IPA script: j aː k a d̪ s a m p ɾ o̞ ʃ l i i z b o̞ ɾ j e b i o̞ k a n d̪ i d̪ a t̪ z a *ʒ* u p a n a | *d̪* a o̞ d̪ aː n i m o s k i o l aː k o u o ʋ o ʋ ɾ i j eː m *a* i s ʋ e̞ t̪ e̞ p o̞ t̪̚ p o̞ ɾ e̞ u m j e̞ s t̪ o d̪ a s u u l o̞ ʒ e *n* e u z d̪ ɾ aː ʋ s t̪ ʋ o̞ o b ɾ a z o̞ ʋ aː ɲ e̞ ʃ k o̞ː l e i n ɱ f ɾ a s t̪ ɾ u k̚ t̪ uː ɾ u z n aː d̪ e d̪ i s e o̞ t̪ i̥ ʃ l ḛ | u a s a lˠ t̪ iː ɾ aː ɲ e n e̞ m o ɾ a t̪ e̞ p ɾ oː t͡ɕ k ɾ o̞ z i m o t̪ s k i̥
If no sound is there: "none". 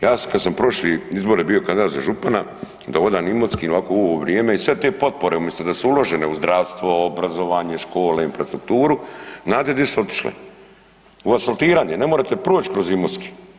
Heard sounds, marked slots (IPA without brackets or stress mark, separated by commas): ʒ, d̪, e, n